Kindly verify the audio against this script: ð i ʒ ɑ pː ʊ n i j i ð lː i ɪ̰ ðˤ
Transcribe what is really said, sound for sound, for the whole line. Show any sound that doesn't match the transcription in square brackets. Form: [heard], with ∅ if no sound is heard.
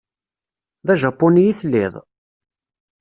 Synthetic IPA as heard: ð [æ] ʒ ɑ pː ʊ n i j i [θ] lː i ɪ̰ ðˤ